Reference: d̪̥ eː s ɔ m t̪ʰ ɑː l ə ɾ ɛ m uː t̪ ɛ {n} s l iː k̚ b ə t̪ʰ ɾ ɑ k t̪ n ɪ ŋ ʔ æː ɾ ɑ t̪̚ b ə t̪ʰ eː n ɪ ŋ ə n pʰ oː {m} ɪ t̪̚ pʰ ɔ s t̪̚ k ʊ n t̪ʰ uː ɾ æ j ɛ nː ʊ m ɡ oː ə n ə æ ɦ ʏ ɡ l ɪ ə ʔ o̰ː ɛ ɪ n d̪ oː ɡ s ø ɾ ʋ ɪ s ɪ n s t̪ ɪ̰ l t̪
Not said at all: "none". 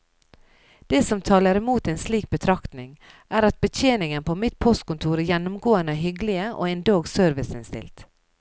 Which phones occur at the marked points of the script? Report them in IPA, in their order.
n, m

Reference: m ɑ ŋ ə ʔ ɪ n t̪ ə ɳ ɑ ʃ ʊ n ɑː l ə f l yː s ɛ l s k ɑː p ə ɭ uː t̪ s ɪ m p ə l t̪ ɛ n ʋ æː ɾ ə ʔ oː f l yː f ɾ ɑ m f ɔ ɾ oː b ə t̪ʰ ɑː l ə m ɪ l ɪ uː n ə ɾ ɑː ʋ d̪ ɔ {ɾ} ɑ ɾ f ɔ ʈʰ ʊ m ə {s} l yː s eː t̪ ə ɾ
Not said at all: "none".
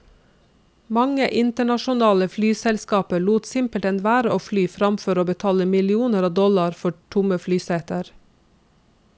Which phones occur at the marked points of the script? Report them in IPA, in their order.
l, f

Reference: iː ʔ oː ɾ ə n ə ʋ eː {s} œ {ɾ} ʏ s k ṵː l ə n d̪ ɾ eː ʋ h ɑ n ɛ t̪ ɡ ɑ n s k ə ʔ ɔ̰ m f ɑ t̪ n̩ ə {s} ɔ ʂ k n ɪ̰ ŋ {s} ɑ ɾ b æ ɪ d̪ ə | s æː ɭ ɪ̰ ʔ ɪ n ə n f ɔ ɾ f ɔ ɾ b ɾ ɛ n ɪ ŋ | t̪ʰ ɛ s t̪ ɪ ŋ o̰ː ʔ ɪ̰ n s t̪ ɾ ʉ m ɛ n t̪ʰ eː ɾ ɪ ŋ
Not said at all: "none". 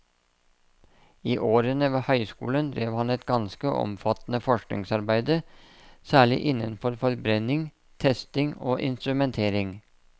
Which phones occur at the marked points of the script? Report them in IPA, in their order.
h, none, f, s

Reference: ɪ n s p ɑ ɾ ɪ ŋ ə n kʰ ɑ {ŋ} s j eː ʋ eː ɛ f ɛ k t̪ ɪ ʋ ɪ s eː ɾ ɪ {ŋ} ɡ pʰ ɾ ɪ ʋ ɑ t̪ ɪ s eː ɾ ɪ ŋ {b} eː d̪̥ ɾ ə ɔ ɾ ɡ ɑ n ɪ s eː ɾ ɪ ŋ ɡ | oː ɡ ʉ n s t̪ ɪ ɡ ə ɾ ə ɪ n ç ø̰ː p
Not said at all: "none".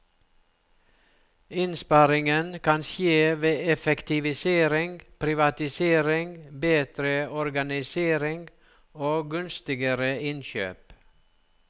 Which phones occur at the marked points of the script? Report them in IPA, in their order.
n, ŋ, b

